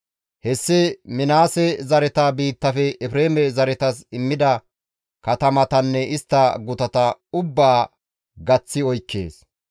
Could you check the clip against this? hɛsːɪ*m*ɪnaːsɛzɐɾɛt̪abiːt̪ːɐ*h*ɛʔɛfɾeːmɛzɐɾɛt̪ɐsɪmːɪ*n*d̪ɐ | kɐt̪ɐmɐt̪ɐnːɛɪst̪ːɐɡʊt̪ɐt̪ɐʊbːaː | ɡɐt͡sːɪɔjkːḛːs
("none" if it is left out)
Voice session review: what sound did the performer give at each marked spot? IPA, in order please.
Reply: m, f, none

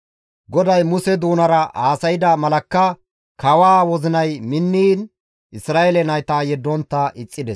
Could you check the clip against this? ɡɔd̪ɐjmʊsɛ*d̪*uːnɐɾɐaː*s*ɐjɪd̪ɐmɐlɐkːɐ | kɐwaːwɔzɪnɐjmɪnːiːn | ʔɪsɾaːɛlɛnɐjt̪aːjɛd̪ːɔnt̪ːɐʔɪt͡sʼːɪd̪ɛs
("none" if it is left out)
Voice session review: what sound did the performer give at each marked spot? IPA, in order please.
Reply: d̪, s

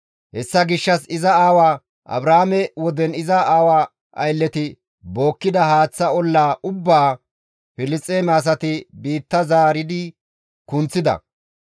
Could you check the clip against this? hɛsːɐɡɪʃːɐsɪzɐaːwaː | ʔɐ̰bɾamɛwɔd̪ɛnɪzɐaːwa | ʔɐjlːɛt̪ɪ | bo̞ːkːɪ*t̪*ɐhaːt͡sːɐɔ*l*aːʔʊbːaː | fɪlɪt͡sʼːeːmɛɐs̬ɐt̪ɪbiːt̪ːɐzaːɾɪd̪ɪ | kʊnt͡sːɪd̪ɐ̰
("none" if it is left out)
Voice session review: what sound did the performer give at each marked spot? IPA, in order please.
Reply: d̪, lː

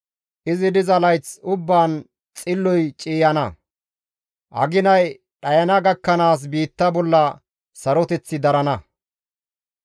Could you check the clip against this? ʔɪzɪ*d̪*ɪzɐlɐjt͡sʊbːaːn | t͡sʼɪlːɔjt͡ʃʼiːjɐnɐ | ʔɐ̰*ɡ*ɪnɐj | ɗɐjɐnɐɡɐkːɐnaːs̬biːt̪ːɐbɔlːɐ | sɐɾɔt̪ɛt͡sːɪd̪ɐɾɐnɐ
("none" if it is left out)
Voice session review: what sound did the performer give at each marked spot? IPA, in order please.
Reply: d̪, ɡ

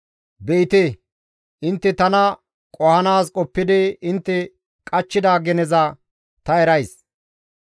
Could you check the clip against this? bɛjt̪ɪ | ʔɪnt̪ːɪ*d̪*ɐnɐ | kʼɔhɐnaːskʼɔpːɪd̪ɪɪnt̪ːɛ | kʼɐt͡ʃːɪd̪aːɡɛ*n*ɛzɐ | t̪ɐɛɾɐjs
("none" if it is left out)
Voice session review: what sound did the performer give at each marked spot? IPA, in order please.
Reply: t̪, n

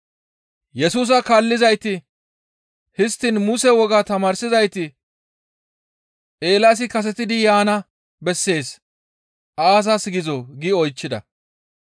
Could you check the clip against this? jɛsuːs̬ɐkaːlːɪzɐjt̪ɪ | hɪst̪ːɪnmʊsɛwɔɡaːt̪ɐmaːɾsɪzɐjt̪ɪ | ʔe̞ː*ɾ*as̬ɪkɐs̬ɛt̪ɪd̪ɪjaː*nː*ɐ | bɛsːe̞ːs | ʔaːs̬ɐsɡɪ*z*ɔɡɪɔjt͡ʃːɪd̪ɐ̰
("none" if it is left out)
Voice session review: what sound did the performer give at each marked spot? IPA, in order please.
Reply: l, n, z

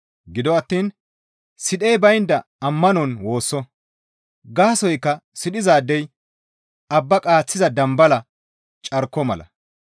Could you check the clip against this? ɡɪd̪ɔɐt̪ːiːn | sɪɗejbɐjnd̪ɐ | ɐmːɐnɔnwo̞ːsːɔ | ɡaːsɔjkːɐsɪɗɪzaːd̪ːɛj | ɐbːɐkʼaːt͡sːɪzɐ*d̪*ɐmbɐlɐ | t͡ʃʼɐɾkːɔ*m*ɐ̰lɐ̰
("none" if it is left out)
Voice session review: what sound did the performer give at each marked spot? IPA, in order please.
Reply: d̪, m

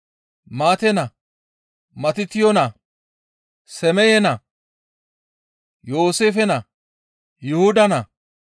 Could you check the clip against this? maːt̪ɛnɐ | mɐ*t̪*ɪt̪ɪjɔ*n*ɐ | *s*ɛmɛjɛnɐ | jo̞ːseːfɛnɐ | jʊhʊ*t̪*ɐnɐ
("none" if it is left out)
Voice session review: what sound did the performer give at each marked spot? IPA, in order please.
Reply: t̪, n, s, d̪

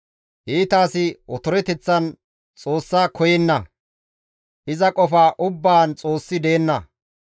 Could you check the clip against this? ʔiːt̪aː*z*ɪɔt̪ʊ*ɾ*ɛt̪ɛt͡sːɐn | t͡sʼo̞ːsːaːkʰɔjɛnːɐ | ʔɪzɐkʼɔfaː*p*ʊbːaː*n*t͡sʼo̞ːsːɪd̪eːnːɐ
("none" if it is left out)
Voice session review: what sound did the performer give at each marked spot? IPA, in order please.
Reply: s, ɾ, ʔ, n

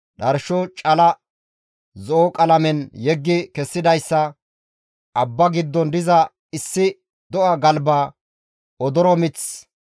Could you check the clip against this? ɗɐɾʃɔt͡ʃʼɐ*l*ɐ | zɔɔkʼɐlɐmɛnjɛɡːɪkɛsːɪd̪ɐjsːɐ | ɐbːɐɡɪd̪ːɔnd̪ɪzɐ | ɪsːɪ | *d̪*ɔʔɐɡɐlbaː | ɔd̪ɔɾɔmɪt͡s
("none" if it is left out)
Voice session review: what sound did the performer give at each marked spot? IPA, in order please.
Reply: l, d̪

